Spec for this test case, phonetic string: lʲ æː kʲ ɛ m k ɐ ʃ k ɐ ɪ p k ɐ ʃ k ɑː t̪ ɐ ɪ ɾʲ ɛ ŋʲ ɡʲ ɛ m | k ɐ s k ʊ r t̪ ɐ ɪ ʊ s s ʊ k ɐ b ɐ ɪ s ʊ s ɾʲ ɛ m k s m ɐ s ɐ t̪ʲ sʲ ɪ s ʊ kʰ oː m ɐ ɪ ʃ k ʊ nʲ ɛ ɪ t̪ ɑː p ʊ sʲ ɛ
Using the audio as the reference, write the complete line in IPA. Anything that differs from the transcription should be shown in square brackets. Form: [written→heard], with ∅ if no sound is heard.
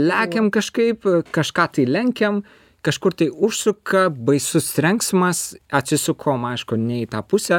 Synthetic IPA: lʲ æː kʲ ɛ m k ɐ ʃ k ɐ ɪ p k ɐ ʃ k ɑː t̪ ɐ ɪ [ɾʲ→lʲ] ɛ ŋʲ [ɡʲ→kʲ] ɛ m | k ɐ [s→ʃ] k ʊ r t̪ ɐ ɪ ʊ [s→ʃ] s ʊ k ɐ b ɐ ɪ s ʊ s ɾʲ ɛ [m→ŋ] k s m ɐ s ɐ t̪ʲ sʲ ɪ s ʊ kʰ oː m ɐ ɪ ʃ k ʊ nʲ ɛ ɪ t̪ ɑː p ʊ sʲ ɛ